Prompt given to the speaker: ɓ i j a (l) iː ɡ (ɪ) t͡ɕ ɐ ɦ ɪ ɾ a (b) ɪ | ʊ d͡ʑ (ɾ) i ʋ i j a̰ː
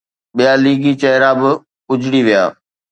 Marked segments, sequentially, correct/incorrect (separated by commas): correct, incorrect, correct, incorrect